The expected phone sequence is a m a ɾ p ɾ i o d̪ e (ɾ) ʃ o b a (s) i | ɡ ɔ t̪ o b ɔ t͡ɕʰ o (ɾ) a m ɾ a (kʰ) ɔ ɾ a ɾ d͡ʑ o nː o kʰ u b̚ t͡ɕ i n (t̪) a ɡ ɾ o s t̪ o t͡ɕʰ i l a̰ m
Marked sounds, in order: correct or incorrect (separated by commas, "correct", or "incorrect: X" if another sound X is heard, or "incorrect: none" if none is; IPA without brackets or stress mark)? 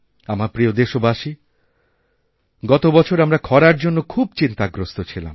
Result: incorrect: none, incorrect: ʃ, correct, correct, correct